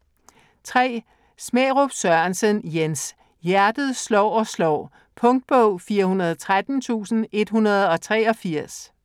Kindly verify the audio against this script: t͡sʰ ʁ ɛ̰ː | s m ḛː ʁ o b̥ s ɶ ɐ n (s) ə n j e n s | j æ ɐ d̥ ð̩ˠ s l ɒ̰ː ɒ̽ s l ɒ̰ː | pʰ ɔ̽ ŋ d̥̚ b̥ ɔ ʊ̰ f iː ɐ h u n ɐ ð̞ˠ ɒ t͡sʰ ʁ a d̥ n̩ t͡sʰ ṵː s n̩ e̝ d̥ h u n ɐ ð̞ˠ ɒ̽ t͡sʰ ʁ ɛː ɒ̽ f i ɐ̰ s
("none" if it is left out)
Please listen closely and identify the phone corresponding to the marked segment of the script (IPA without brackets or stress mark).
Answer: s